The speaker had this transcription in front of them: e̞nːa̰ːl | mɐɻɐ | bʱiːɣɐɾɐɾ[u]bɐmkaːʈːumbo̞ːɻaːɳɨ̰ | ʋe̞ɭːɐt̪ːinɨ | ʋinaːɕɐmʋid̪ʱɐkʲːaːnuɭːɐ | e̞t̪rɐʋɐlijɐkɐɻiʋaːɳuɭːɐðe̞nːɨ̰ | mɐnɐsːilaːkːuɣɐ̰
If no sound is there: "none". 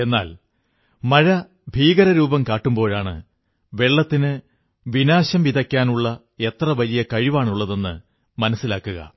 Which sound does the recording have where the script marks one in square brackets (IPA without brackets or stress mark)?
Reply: uː